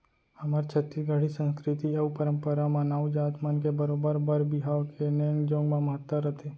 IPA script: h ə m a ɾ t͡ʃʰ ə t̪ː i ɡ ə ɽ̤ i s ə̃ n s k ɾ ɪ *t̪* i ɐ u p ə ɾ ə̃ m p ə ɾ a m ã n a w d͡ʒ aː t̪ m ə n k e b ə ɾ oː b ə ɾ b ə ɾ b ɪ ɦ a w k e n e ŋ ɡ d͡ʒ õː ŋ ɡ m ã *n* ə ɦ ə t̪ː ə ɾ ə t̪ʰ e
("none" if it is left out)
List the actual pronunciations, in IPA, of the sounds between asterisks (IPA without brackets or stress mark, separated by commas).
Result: t̪, m